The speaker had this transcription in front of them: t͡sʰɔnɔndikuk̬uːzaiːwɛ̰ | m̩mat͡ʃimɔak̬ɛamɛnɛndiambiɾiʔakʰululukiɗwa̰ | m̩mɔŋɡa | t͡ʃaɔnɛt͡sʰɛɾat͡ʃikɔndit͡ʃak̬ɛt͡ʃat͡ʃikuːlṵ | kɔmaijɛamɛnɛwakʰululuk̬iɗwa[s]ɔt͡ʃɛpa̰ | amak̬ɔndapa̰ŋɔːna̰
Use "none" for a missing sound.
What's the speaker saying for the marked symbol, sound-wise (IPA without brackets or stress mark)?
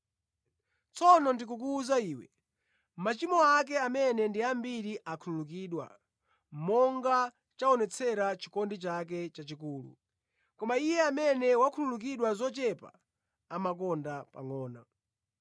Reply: z